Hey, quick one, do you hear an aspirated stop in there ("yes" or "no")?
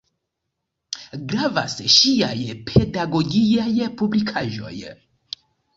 yes